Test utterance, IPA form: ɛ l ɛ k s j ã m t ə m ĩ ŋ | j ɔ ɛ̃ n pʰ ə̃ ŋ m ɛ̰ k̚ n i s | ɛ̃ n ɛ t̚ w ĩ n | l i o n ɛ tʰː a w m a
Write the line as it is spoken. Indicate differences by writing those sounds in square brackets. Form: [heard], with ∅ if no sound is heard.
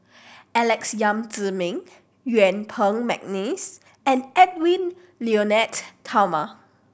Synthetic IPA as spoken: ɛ l ɛ k s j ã m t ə m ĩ ŋ | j [u] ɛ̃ n pʰ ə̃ ŋ m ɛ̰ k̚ n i s | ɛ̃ n ɛ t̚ w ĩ n | l i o n ɛ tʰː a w m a